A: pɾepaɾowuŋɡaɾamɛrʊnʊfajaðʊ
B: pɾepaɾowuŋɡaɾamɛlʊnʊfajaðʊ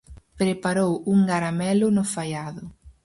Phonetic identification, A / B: B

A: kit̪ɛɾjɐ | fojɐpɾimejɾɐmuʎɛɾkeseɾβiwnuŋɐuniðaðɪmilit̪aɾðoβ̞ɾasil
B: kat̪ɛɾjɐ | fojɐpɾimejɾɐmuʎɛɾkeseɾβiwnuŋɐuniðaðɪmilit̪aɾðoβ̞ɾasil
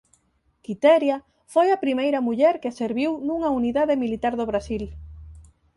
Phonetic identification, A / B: A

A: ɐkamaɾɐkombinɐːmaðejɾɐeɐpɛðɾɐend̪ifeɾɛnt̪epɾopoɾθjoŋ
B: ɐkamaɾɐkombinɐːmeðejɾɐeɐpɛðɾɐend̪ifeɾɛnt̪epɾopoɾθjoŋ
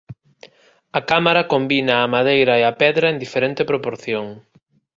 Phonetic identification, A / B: A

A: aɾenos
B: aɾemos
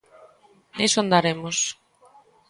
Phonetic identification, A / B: B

